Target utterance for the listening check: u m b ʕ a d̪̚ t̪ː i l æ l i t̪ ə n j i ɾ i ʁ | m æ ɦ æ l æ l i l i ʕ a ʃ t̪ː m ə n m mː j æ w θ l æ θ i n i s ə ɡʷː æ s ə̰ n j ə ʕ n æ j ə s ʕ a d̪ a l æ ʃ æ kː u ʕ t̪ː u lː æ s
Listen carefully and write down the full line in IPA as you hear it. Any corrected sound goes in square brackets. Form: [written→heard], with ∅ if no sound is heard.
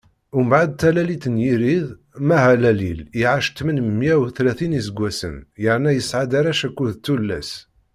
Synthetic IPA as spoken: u m b ʕ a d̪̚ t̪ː [i→æ] l æ l i t̪ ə n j i ɾ i [ʁ→ð] | m æ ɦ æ l æ l i l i ʕ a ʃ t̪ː m ə n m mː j æ w θ l æ θ i n i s ə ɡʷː æ s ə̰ n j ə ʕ n æ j ə s ʕ a d̪ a [l→ɾ] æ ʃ æ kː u [ʕ→ð] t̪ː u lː æ s